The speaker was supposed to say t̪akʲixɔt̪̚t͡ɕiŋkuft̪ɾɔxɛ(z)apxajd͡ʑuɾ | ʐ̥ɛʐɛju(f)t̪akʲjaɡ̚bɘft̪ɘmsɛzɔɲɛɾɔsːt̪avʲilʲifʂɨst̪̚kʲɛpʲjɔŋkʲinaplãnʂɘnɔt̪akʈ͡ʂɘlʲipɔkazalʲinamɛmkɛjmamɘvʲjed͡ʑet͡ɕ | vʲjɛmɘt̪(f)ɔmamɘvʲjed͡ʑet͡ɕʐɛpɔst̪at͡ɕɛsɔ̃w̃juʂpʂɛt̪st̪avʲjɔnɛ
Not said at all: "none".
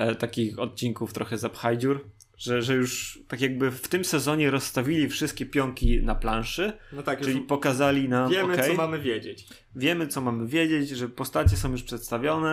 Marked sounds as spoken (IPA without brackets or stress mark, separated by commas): z, ʂ, s